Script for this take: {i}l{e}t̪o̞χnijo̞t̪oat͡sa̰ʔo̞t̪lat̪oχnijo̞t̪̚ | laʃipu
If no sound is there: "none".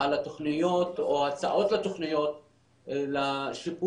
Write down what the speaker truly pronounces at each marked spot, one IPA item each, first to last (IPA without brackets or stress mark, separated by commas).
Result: a, a